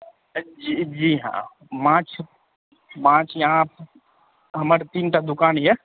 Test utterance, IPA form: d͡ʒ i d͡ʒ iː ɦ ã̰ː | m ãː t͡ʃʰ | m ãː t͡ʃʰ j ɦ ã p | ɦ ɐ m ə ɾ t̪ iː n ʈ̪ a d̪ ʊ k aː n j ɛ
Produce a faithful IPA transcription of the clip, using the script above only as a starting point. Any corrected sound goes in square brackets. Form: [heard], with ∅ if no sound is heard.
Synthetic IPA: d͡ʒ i d͡ʒ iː ɦ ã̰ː | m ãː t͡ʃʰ | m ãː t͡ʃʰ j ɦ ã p | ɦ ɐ m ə ɾ t̪ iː n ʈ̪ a d̪ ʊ k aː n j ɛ